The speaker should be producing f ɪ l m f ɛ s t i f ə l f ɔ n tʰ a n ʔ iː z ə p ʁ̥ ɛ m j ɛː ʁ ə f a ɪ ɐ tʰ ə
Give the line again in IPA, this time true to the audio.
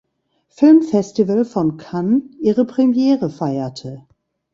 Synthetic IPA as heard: f ɪ l m f ɛ s t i v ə l f ɔ n kʰ a n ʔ iː ʁ ə p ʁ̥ ɛ m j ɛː ʁ ə f a ɪ ɐ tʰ ə